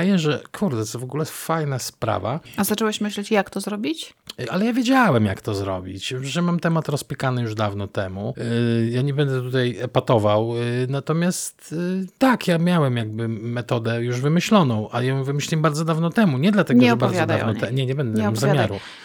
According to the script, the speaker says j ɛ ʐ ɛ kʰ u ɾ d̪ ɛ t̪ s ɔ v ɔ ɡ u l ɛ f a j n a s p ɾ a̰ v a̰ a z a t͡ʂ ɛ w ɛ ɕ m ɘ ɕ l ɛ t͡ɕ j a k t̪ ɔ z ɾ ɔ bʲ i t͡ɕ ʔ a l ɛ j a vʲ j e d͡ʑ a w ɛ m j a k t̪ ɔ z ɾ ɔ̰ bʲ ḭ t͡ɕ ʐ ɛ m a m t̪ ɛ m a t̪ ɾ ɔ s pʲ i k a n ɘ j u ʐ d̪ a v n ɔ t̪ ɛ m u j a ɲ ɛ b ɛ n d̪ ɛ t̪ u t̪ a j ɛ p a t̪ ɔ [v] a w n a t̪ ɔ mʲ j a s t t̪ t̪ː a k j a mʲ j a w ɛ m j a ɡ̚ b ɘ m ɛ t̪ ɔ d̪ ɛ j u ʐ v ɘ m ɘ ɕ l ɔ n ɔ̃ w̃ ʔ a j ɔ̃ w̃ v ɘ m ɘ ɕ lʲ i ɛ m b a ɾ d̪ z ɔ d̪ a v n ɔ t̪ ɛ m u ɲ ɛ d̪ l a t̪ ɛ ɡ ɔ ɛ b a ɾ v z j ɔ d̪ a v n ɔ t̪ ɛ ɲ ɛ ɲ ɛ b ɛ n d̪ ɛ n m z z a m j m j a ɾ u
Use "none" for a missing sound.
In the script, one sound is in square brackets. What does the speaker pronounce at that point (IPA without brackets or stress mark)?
v